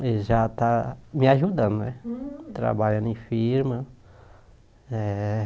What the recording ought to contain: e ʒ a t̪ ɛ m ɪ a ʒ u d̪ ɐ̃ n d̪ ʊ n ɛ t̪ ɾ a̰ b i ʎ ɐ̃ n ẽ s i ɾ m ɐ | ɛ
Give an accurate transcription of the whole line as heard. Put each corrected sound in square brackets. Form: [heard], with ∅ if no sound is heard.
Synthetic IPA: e ʒ a t̪ [a] m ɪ a ʒ u d̪ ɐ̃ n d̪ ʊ n ɛ t̪ ɾ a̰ b [a] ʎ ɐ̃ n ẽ [f] i ɾ m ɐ | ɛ